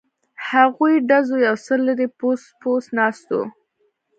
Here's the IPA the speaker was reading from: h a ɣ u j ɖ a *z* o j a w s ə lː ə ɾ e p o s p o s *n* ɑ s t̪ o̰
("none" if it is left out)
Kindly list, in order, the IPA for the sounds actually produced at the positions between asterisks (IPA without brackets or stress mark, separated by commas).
z, n